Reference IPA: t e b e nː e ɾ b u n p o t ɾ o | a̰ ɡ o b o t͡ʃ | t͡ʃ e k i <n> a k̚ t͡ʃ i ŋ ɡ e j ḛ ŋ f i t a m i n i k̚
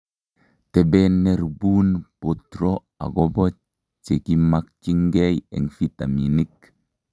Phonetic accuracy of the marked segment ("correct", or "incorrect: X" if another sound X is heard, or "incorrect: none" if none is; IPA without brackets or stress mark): incorrect: m